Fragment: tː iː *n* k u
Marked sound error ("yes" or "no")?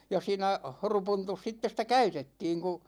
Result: yes